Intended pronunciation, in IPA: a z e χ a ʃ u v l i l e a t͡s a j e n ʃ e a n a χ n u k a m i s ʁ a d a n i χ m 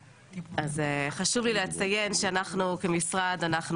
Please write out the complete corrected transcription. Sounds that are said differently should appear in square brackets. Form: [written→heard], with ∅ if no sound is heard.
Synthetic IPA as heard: a z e χ a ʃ u v l i l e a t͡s a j e n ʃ e a n a χ n u k [a→e] m i s ʁ a d a n [i→a] χ [m→n]